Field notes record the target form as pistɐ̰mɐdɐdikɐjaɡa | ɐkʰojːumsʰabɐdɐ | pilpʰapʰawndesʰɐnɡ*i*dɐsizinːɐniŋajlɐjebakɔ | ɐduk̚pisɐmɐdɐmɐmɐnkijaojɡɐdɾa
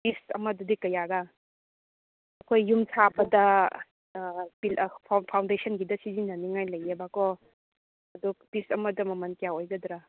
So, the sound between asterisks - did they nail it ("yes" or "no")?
yes